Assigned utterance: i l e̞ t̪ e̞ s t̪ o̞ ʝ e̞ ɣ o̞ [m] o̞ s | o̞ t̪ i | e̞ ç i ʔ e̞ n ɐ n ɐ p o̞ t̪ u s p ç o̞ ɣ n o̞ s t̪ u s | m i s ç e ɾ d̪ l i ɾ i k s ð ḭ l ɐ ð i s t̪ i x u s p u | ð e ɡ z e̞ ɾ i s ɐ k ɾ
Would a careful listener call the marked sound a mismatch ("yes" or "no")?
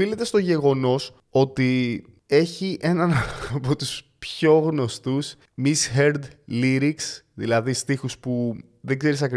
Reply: yes